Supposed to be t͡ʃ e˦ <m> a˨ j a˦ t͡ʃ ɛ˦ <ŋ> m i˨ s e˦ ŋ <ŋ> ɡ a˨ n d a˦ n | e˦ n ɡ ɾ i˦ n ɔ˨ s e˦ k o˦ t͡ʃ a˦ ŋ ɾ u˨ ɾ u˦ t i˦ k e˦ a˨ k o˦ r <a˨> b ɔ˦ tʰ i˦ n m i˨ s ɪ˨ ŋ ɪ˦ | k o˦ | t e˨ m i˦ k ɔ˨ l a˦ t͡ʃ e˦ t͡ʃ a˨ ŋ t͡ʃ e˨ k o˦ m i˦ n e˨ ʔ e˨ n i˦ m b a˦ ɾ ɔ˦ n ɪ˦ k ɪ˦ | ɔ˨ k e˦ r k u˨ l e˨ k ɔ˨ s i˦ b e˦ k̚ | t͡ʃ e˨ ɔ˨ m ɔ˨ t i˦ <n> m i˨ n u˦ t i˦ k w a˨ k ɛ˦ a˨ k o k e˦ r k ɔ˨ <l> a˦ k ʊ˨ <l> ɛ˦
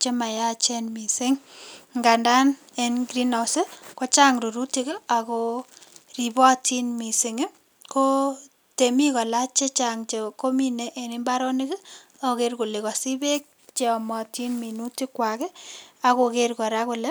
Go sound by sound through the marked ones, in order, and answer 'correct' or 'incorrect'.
correct, incorrect: n, correct, incorrect: i˨, correct, incorrect: ɾ, correct

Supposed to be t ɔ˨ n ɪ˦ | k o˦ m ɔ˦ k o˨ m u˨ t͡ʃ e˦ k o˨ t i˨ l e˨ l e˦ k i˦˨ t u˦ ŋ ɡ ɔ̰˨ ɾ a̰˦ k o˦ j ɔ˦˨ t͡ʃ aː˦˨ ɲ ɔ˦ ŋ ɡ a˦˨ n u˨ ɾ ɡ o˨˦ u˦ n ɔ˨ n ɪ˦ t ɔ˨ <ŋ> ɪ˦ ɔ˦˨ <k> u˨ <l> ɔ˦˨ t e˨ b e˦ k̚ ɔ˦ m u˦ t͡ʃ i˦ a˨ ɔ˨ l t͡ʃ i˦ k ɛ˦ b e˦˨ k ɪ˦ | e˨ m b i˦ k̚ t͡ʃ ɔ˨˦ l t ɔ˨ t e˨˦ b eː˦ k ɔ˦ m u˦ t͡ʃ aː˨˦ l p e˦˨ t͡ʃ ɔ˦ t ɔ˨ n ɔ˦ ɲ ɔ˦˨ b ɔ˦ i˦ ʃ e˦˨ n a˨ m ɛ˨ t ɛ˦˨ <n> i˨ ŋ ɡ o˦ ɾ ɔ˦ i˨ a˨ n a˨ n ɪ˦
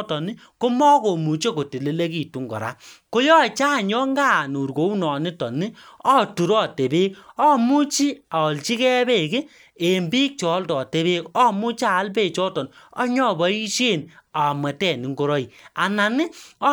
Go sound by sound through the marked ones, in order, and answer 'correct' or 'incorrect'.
incorrect: n, incorrect: t, incorrect: ɾ, correct

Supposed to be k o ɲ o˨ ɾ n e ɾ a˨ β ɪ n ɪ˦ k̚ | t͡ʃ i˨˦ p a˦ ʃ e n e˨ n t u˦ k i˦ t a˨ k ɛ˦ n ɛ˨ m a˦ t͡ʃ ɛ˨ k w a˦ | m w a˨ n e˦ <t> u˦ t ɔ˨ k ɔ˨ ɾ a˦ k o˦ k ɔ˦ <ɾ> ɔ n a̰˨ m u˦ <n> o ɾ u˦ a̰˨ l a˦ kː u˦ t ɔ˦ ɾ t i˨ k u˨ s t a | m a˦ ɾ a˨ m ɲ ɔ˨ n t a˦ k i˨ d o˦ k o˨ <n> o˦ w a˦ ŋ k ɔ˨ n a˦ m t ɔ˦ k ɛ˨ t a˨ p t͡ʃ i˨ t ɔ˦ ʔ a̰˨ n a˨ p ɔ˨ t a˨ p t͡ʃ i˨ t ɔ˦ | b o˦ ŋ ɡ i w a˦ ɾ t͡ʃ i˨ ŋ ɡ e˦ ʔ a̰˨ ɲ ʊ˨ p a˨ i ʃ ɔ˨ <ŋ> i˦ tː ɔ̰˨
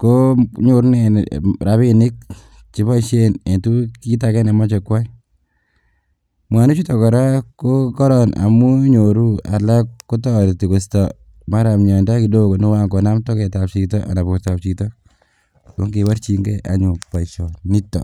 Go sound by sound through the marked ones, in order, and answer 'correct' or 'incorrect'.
incorrect: t͡ʃ, correct, incorrect: ɲ, correct, incorrect: n

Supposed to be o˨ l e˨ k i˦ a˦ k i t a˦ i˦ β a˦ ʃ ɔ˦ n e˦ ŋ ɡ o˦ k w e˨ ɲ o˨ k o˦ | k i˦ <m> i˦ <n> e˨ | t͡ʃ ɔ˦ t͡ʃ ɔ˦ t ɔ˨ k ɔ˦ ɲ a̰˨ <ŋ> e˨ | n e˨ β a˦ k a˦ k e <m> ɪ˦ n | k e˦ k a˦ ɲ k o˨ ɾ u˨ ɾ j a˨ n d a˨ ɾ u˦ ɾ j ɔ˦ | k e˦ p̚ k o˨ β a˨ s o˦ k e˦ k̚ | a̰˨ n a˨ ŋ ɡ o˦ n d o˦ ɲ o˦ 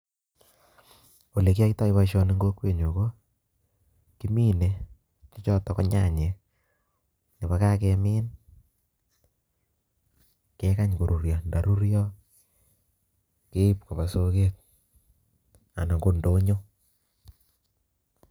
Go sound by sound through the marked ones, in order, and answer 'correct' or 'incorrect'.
correct, correct, incorrect: ɲ, correct

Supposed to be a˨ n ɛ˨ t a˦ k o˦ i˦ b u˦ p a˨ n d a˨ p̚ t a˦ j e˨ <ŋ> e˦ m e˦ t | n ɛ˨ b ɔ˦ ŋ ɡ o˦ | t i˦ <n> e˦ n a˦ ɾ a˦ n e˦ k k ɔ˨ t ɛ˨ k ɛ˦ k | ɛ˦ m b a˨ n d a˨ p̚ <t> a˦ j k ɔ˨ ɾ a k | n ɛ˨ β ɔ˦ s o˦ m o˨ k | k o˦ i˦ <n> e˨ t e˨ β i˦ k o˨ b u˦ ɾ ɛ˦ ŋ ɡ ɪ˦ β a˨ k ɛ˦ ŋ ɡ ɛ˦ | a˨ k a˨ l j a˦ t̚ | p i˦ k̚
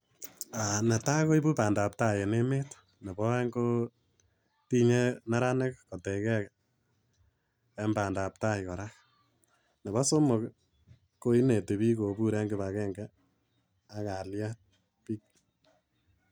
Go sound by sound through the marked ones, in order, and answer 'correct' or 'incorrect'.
incorrect: n, incorrect: ɲ, correct, correct

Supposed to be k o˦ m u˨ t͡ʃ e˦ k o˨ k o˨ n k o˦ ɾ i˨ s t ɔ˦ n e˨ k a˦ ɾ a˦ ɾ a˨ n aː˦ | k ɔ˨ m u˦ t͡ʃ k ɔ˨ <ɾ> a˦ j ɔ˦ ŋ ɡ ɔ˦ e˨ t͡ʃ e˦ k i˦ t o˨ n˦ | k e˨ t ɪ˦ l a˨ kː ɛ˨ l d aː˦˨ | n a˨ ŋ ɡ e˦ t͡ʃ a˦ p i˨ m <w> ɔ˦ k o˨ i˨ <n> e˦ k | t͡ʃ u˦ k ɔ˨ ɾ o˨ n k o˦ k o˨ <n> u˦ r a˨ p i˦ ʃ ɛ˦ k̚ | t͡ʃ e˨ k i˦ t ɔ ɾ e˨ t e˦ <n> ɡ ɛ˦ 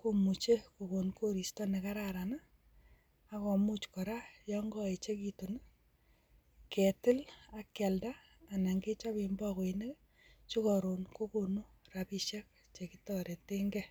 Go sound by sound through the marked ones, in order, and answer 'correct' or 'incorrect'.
correct, incorrect: b, correct, correct, incorrect: ŋ

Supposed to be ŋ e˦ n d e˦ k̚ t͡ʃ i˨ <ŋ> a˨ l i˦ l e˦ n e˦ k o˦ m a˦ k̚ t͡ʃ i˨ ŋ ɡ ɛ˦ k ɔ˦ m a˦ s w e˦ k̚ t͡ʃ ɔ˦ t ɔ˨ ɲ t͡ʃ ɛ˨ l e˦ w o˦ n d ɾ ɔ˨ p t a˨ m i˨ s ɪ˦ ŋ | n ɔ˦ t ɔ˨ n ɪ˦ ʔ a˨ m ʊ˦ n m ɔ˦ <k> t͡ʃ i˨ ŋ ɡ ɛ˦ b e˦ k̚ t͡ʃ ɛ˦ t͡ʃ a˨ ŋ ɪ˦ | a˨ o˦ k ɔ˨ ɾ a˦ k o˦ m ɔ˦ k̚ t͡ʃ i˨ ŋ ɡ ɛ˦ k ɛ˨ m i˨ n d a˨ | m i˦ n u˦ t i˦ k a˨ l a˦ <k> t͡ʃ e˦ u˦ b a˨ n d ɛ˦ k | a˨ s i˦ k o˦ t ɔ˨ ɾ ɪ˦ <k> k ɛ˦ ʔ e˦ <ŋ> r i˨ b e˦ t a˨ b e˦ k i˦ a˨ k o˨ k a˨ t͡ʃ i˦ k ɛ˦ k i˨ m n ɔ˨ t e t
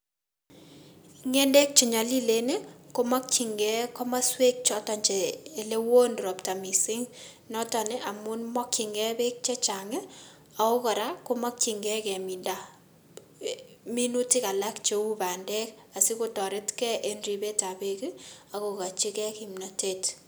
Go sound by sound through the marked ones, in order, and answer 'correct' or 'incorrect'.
incorrect: ɲ, correct, correct, incorrect: t, incorrect: n

